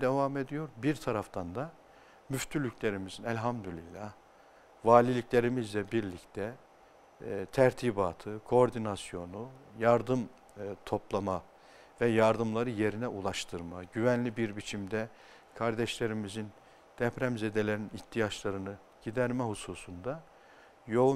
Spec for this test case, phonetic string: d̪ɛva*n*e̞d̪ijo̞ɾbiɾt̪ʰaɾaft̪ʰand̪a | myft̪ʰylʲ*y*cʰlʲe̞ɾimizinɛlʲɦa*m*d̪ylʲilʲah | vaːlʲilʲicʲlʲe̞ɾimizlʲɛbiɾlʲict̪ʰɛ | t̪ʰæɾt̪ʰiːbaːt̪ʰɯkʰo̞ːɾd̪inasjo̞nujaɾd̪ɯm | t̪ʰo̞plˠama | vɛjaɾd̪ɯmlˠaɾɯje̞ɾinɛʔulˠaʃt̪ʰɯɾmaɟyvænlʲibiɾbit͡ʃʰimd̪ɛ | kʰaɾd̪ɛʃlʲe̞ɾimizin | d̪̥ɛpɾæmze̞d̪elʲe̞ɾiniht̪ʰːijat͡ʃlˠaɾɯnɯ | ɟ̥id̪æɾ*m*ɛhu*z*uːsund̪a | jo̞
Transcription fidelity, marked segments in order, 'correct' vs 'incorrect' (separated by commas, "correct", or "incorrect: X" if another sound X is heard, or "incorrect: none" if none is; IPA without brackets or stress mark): incorrect: m, correct, correct, correct, incorrect: s